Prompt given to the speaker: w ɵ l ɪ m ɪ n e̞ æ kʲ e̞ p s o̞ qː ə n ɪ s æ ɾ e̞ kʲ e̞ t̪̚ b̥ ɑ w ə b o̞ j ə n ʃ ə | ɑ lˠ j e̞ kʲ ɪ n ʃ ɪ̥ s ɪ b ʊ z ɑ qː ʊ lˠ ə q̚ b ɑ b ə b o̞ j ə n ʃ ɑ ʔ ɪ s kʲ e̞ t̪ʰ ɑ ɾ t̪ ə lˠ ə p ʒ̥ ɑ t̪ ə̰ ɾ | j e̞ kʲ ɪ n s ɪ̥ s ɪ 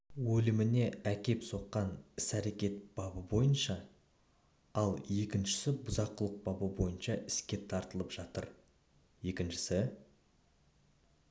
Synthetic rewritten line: w ɵ l ɪ m ɪ n e̞ æ kʲ e̞ p s o̞ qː ɑ n ɪ s æ ɾ e̞ kʲ e̞ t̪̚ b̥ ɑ b ə b o̞ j ə n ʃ ɑ | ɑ lˠ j e̞ kʲ ɪ n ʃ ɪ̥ s ɪ b ʊ z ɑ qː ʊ lˠ ə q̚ b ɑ b ə b o̞ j ə n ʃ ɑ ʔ ɪ s kʲ e̞ t̪ʰ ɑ ɾ t̪ ə lˠ ə p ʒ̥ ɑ t̪ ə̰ ɾ | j e̞ kʲ ɪ n ʃ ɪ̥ s ɪ